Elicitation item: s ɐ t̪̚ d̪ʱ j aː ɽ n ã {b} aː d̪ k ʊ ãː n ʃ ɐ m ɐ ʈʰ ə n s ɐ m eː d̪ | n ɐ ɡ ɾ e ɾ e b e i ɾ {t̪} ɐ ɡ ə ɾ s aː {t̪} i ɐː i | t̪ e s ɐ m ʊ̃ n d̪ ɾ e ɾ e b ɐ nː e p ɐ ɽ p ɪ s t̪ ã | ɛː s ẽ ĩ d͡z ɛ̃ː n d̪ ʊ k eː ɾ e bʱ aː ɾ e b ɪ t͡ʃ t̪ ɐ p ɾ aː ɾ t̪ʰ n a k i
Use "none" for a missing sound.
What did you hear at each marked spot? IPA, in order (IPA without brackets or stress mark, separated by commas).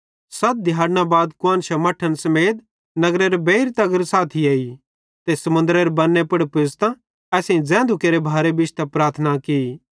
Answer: b, t̪, t̪ʰ